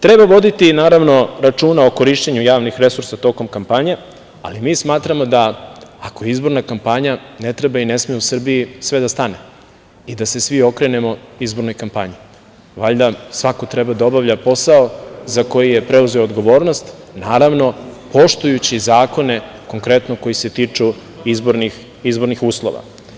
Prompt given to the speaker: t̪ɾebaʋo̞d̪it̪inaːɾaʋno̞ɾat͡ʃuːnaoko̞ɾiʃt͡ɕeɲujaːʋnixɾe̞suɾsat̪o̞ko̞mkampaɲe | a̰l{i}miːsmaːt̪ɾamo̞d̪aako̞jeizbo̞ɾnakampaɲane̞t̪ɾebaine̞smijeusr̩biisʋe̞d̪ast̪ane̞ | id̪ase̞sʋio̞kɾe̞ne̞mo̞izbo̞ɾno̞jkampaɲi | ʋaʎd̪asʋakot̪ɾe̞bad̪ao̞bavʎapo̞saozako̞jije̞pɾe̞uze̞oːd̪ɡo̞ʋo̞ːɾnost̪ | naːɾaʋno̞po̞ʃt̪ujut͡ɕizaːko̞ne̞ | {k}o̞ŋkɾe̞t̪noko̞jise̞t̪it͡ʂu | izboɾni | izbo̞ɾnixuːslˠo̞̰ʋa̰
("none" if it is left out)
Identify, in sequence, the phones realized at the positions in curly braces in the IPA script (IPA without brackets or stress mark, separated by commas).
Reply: i, k